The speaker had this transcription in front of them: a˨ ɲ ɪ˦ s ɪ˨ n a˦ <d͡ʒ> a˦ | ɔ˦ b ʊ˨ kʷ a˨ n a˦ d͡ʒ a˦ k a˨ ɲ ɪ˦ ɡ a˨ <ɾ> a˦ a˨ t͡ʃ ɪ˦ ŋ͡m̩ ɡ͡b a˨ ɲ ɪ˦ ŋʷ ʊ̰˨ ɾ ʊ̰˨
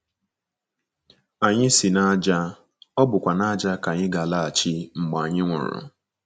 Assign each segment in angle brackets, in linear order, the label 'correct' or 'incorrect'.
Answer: correct, incorrect: l

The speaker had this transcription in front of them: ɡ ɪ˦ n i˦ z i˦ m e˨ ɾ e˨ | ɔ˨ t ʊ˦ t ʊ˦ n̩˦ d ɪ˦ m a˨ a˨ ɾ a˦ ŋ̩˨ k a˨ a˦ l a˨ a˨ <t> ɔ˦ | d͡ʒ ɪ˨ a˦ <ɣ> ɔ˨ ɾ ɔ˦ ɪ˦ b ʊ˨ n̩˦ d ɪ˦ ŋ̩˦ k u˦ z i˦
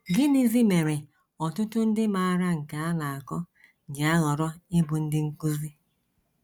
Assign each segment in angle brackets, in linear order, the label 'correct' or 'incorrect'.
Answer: incorrect: k, correct

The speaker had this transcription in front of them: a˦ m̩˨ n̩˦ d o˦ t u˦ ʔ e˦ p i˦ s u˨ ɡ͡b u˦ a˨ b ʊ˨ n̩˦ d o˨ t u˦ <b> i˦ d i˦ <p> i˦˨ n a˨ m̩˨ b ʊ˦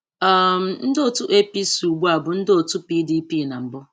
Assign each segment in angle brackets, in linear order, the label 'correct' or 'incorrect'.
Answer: incorrect: p, correct

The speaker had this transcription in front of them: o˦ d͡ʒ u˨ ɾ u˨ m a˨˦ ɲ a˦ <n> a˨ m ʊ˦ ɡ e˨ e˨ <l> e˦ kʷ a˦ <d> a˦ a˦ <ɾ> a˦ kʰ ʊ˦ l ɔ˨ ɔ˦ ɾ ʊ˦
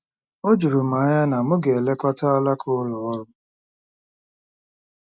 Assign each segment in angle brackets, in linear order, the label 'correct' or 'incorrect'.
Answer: correct, correct, incorrect: t, incorrect: l

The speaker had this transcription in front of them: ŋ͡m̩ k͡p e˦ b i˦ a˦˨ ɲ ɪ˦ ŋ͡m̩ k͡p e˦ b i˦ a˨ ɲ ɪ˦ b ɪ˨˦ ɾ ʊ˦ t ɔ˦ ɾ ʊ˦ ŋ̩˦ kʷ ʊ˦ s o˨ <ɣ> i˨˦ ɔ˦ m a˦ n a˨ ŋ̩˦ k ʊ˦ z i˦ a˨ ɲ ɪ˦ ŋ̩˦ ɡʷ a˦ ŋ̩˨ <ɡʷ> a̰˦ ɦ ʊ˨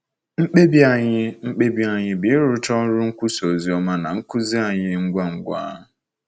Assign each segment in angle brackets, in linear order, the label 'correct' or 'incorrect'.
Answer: incorrect: z, correct

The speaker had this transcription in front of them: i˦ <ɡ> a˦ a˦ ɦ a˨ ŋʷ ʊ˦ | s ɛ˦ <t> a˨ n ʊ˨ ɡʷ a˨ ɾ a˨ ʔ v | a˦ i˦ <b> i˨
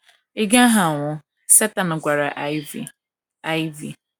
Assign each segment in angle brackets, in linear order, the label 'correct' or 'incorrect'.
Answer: correct, correct, incorrect: v

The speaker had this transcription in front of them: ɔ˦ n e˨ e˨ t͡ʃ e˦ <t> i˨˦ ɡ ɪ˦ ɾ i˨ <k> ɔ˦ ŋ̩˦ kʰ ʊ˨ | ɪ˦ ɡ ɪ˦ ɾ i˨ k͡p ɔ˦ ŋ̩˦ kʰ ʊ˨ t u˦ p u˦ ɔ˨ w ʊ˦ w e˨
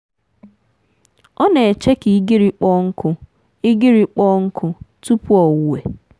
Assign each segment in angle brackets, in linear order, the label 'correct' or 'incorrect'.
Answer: incorrect: k, incorrect: k͡p

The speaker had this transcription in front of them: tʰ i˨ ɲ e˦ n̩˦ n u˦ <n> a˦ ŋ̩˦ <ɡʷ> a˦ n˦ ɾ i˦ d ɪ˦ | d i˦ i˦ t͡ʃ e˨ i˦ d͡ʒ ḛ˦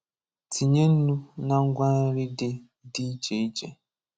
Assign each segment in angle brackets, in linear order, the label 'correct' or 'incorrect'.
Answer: correct, correct

